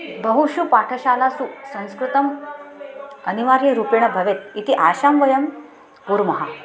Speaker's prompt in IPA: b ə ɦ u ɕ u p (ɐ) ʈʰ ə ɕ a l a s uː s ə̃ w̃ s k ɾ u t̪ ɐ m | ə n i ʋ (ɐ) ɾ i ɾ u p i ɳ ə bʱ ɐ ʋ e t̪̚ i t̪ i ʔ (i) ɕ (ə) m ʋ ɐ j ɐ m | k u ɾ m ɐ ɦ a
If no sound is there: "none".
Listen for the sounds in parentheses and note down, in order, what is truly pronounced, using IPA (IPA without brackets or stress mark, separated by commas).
a, a, a, a